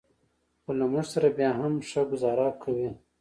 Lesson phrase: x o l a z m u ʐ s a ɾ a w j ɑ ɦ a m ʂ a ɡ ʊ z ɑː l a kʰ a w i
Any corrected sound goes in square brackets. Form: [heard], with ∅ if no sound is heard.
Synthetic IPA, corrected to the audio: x o l a [∅] m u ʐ s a ɾ a [b] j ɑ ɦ a m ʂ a ɡ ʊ z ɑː [ɾ] a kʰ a w i